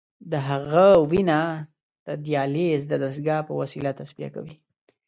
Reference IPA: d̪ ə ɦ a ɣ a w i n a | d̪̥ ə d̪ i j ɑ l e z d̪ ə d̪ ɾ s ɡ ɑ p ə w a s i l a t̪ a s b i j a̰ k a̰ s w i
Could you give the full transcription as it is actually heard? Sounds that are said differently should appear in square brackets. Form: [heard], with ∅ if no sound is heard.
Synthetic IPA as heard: d̪ ə ɦ a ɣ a w i n a | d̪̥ ə d̪ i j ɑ l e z d̪ ə d̪ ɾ s ɡ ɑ p ə w a s i l a t̪ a s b i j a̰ k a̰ [∅] w i